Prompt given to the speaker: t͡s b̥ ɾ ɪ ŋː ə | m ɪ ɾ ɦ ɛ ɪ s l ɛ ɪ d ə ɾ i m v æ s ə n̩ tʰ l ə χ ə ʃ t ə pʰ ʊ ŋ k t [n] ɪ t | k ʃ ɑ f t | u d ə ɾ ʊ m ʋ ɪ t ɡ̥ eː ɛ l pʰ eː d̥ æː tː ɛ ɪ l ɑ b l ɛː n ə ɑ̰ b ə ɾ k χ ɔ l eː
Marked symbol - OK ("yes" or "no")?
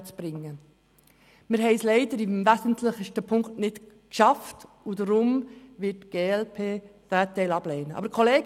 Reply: yes